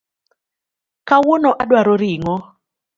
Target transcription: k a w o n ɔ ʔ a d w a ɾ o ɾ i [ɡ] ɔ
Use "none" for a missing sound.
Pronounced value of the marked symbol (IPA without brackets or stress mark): ŋ